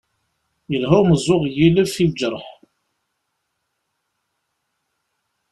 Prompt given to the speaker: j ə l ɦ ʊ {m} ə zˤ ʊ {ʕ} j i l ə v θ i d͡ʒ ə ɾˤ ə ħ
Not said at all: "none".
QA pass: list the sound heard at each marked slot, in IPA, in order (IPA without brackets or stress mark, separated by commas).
m, ʁ